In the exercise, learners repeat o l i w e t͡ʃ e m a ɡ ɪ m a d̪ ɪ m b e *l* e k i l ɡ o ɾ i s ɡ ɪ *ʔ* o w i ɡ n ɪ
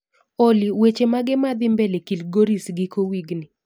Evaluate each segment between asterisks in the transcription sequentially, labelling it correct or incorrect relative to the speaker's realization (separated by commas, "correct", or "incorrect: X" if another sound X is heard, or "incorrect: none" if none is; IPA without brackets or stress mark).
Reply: correct, incorrect: k